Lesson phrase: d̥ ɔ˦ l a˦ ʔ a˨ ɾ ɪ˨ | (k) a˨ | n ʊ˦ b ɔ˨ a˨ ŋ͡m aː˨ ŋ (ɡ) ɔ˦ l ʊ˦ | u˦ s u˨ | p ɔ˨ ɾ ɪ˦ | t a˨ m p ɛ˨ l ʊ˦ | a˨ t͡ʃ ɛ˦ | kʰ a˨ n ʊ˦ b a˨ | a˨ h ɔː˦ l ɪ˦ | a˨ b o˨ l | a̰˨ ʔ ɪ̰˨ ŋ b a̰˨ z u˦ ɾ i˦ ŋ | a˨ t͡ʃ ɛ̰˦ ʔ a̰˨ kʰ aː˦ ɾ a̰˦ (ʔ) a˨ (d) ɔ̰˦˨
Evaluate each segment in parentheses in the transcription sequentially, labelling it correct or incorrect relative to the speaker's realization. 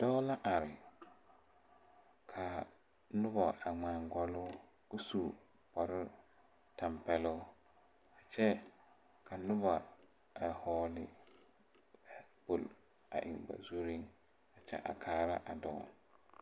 incorrect: kʰ, correct, correct, correct

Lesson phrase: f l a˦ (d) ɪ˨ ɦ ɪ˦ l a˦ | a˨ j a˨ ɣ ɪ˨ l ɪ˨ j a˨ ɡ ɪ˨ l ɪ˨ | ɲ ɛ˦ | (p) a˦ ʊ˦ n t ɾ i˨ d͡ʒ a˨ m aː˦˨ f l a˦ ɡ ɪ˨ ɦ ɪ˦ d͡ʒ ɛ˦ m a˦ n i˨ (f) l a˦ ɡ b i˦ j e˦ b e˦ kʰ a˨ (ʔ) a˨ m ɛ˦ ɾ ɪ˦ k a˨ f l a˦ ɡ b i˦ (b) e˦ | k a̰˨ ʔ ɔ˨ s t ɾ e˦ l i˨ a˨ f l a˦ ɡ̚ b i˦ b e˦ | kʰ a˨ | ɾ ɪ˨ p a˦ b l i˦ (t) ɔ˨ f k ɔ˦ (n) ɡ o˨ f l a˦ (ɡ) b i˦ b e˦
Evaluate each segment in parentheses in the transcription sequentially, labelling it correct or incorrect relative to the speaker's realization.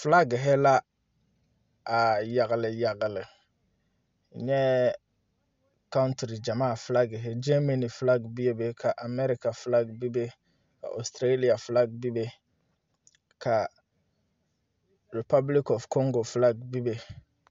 incorrect: ɡ, incorrect: k, correct, correct, correct, incorrect: k, incorrect: ŋ, correct

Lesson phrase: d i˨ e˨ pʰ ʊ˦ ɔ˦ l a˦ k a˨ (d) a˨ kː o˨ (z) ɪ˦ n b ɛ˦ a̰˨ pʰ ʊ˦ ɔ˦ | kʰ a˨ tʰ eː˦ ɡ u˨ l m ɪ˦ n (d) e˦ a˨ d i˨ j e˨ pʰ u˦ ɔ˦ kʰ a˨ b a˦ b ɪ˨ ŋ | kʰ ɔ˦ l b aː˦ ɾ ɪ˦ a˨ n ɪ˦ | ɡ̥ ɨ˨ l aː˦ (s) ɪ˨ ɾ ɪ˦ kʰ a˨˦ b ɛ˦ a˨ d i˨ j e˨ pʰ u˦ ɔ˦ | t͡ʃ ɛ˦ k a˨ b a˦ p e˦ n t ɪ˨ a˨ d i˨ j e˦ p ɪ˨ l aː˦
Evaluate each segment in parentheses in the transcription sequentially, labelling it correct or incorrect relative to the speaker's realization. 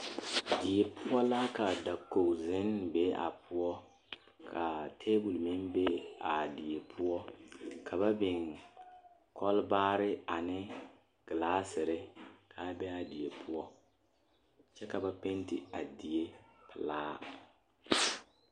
correct, correct, incorrect: b, correct

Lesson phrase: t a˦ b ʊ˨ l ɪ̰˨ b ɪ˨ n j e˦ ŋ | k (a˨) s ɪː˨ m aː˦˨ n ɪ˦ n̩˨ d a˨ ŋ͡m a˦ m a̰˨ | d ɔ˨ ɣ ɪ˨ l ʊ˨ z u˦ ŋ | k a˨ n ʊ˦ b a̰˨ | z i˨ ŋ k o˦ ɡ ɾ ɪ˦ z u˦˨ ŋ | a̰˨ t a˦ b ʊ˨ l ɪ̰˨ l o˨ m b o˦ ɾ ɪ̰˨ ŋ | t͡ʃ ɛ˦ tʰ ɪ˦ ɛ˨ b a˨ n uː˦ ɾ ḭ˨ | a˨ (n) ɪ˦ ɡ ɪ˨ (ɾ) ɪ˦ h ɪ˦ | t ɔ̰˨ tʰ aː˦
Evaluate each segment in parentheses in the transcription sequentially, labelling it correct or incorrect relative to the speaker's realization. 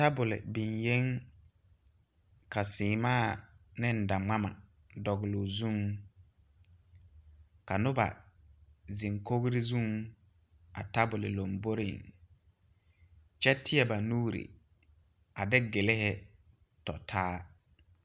correct, incorrect: d, incorrect: l

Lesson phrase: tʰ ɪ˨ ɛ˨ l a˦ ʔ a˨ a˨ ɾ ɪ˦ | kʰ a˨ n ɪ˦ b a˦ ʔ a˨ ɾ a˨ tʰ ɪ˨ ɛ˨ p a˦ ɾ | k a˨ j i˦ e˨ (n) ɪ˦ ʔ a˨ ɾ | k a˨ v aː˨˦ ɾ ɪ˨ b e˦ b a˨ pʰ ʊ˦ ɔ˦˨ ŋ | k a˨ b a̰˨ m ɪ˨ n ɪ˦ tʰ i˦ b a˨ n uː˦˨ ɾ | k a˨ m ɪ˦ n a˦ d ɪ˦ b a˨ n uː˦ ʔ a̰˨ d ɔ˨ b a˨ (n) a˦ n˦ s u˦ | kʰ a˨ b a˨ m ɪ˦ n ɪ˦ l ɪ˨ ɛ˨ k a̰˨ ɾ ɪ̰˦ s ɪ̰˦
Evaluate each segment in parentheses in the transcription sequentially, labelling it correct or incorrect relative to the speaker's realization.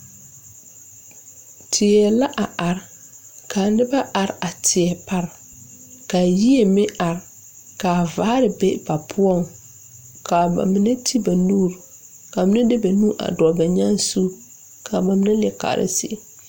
incorrect: m, incorrect: ɲ

